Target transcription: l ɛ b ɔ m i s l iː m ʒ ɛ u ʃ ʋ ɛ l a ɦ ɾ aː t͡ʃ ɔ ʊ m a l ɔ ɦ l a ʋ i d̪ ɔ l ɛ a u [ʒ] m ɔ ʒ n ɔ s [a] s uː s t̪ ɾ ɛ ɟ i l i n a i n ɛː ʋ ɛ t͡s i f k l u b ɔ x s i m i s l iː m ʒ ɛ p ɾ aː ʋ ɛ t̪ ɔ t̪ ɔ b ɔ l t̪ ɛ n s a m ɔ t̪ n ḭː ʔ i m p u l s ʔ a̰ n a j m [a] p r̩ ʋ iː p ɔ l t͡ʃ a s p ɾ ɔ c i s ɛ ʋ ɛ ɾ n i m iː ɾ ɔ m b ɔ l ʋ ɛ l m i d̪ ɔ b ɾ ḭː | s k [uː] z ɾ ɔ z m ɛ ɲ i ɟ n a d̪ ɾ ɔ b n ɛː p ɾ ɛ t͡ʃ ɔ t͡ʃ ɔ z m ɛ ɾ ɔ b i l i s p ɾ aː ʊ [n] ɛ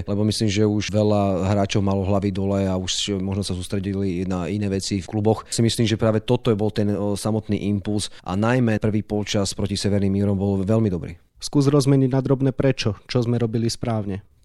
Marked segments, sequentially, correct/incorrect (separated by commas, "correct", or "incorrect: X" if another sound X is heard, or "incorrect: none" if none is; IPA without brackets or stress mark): incorrect: ʃ, correct, incorrect: ɛ, correct, incorrect: ɲ